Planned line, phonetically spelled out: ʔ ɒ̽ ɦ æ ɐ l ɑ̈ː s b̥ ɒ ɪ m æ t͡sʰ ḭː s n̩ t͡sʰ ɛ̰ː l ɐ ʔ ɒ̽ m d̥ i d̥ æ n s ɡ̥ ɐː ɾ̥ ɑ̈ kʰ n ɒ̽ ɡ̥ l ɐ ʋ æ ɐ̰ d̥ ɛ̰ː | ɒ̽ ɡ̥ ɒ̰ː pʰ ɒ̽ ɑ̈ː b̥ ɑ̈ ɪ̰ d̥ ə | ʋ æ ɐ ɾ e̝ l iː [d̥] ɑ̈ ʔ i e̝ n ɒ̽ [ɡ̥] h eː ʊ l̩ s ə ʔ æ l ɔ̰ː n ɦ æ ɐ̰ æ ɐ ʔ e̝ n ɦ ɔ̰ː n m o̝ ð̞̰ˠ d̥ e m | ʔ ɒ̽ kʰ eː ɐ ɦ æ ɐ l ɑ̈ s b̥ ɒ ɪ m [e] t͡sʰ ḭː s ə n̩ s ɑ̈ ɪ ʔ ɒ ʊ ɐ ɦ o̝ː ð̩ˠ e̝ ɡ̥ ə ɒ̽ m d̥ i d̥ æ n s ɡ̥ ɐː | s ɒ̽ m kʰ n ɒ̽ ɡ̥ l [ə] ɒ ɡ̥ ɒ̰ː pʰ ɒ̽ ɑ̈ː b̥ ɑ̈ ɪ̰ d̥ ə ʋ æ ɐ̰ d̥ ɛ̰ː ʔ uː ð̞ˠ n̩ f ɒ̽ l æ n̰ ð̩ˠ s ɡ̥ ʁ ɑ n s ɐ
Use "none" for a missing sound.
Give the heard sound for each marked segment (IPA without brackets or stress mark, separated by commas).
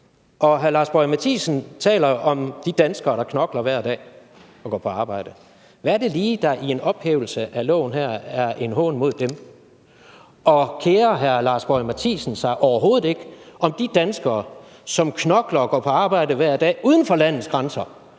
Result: d̥, b̥, æ, ɐ